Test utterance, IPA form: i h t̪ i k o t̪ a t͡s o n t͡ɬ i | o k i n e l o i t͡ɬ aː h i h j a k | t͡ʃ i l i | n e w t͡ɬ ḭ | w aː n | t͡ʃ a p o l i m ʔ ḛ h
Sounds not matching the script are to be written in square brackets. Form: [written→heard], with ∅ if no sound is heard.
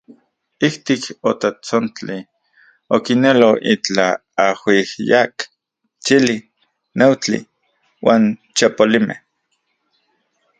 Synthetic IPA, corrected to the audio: i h t̪ i k o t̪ a t͡s o n t͡ɬ i | o k i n e l o i t͡ɬ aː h i h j a k | t͡ʃ i l i | n e w t͡ɬ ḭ | w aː n | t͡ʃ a p o l i m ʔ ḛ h

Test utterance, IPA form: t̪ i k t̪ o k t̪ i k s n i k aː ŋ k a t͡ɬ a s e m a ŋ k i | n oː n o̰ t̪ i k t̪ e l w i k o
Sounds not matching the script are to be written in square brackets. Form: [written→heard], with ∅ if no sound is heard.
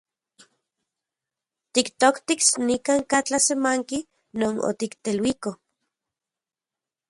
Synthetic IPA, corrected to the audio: t̪ i k t̪ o k t̪ i k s n i k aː ŋ k a t͡ɬ a s e m a ŋ k i | n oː n o̰ t̪ i k t̪ e l w i k o

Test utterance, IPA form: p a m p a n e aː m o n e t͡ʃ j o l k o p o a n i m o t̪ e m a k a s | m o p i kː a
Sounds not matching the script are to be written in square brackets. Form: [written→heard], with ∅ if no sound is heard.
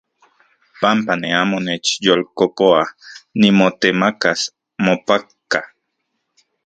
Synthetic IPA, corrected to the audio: p a m p a n e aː m o n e t͡ʃ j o l k o p o a n i m o t̪ e m a k a s | m o p [i→a] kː a

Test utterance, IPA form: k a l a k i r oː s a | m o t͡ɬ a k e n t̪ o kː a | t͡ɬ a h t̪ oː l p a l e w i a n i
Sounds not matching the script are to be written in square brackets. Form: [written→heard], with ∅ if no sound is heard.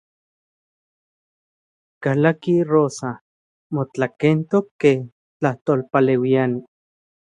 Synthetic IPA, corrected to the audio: k a l a k i r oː s a | m o t͡ɬ a k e n t̪ o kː [a→e] | t͡ɬ a h t̪ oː l p a l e w i a n i

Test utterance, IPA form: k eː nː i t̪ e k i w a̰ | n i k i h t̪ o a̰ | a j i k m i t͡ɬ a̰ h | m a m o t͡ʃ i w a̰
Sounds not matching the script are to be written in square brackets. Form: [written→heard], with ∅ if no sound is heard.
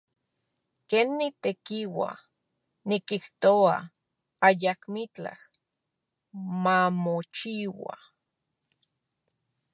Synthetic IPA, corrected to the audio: k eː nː i t̪ e k i w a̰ | n i k i h t̪ o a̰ | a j [i→a] k m i t͡ɬ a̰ h | m a m o t͡ʃ i w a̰

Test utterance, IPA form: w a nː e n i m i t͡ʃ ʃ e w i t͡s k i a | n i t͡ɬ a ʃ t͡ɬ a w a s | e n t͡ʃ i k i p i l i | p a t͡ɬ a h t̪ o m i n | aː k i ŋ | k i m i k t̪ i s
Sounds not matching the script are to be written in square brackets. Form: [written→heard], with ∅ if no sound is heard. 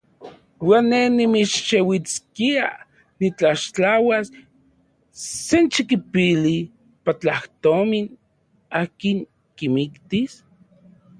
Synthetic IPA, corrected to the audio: w a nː e n i m i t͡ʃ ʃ e w i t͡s k i a | n i t͡ɬ a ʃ t͡ɬ a w a s | e n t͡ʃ i k i p i l i | p a t͡ɬ a h t̪ o m i n | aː k i ŋ | k i m i k t̪ i s

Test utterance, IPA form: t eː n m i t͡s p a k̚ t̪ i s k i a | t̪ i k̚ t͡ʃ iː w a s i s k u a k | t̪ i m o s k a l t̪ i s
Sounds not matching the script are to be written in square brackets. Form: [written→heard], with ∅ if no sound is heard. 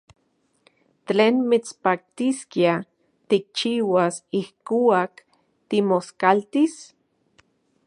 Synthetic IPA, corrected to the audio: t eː n m i t͡s p a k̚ t̪ i s k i a | t̪ i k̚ t͡ʃ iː w a s i [s→h] k u a k | t̪ i m o s k a l t̪ i s

